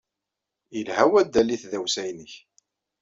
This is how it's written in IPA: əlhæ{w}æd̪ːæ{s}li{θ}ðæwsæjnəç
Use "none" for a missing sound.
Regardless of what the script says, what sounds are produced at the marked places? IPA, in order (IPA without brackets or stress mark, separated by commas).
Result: w, none, θ